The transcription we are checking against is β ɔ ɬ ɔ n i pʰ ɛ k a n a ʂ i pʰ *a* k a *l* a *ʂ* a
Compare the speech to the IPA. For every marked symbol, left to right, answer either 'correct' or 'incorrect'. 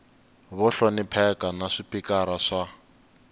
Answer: incorrect, incorrect, correct

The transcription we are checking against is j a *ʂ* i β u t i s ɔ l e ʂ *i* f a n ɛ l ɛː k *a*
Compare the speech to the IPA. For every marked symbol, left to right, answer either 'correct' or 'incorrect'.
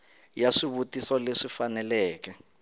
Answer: correct, correct, incorrect

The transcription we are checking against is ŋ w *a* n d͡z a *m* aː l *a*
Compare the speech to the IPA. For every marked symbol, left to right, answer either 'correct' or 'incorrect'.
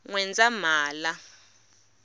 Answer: incorrect, correct, correct

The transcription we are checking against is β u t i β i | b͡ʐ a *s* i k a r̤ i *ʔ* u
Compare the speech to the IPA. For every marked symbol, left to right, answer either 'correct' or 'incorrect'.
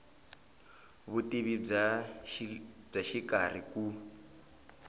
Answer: incorrect, incorrect

